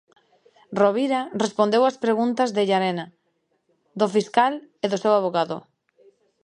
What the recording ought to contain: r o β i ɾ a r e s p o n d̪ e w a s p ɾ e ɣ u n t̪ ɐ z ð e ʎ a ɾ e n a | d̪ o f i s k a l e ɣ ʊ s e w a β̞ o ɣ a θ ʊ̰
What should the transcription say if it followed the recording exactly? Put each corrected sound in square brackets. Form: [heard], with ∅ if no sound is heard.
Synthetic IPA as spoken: r o β i ɾ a r e s p o n d̪ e w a s p ɾ e ɣ u n t̪ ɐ z ð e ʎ a ɾ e n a | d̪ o f i s k a l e [ð] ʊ s e w a β̞ o ɣ a [ð] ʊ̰